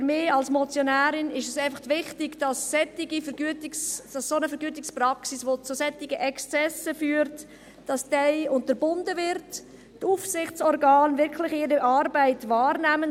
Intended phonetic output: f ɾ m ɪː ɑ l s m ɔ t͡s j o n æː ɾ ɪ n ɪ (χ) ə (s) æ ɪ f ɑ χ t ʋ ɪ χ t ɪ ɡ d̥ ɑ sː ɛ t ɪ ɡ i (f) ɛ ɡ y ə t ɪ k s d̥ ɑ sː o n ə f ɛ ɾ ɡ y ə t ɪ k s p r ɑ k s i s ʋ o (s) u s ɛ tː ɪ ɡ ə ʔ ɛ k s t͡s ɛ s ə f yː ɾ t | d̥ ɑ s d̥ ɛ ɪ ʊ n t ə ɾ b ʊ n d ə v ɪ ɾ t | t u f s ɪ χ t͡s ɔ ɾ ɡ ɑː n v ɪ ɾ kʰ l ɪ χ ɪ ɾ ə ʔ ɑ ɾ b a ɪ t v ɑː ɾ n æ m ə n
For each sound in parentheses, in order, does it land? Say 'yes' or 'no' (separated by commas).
no, yes, yes, no